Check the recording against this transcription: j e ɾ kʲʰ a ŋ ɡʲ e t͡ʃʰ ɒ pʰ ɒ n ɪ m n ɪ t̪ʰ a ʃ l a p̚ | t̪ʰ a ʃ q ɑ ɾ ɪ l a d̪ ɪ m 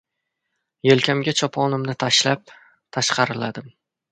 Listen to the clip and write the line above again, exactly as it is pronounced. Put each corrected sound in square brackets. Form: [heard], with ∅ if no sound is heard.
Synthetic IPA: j e [l] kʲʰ a [m] ɡʲ [a] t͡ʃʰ ɒ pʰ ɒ n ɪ m n ɪ t̪ʰ a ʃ l a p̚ | t̪ʰ a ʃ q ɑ ɾ ɪ l a d̪ ɪ m

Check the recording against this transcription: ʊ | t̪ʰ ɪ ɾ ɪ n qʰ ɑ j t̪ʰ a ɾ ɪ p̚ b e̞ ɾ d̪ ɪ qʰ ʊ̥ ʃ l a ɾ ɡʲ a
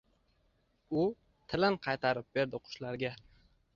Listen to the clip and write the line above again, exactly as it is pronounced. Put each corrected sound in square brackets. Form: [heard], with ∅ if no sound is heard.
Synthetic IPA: ʊ | t̪ʰ ɪ [l] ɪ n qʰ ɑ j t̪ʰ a ɾ ɪ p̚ b e̞ ɾ d̪ ɪ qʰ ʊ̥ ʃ l a ɾ ɡʲ a

